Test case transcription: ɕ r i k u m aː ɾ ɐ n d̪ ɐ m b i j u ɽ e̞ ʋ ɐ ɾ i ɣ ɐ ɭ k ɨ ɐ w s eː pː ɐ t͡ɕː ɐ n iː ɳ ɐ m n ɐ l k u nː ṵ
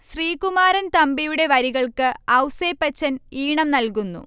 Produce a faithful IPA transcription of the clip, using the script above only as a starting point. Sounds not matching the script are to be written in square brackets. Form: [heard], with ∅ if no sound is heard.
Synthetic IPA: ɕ r [iː] k u m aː ɾ ɐ n [t̪] ɐ m b i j u ɽ e̞ ʋ ɐ ɾ i ɣ ɐ ɭ k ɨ ɐ w s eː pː ɐ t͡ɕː ɐ n iː ɳ ɐ m n ɐ l k u nː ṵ